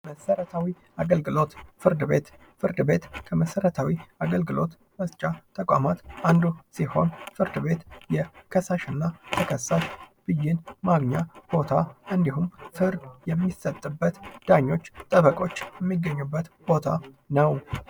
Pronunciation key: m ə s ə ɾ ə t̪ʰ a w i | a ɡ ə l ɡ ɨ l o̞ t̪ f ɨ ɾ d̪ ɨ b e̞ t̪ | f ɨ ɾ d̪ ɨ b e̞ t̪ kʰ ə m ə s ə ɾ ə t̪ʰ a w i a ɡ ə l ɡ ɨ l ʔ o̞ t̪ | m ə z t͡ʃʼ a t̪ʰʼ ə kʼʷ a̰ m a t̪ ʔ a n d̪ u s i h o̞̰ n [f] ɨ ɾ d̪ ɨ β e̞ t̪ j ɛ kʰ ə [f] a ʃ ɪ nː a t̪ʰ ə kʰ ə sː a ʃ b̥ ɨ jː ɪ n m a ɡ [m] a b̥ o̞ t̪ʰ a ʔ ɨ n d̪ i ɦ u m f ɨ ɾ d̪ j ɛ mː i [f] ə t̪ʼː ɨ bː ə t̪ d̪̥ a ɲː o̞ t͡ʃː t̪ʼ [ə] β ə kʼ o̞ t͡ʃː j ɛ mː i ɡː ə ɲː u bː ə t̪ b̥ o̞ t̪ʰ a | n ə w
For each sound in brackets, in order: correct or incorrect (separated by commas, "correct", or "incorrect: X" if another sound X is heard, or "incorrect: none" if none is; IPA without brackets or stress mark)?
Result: correct, incorrect: s, incorrect: ɲ, incorrect: s, correct